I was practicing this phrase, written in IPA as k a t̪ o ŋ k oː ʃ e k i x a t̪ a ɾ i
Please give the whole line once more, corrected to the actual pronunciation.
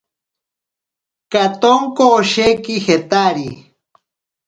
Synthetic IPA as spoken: k a t̪ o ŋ k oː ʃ e k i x e t̪ a ɾ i

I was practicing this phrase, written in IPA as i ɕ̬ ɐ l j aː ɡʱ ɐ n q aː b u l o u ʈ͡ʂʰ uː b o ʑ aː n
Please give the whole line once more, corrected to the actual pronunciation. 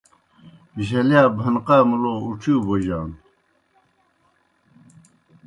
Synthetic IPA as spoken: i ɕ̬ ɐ l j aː bʱ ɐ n q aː m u l o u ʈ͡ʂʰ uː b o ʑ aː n

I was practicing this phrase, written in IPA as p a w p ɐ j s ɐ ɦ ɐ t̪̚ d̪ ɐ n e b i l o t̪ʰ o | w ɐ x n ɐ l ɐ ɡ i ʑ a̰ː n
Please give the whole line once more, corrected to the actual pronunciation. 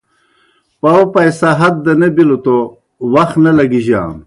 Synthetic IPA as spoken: p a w p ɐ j s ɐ ɦ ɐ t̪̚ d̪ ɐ n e b i l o t̪ o | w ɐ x n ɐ l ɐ ɡ i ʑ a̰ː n

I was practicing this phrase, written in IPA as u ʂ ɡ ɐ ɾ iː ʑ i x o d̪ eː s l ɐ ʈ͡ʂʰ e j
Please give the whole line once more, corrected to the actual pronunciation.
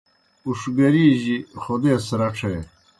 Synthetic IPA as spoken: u ʂ ɡ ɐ ɾ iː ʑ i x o d̪ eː s ɾ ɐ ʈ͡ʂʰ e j

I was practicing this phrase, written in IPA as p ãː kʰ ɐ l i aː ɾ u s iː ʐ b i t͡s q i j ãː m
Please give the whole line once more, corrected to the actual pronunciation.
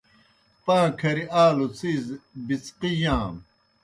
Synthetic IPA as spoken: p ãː kʰ ɐ ɾ i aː l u t͡s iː z b i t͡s q i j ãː m

